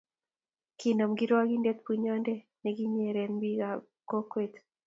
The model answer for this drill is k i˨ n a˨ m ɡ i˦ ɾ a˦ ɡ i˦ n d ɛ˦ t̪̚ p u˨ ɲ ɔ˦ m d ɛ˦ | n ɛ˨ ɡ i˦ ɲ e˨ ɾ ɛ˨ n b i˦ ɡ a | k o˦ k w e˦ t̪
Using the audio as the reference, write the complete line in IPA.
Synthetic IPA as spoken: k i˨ n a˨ m ɡ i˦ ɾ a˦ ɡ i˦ n d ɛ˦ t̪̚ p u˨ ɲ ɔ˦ n d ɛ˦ | n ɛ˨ ɡ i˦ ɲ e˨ ɾ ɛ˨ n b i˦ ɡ a | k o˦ k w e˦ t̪